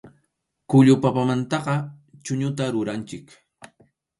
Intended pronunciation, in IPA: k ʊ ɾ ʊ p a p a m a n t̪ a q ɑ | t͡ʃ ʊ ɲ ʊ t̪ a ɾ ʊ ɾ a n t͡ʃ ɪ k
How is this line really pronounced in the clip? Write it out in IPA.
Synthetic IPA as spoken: k ʊ ʎ ʊ p a p a m a n t̪ ɑ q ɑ | t͡ʃ ʊ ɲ ʊ t̪ a ɾ ʊ ɾ a n t͡ʃ ɪ k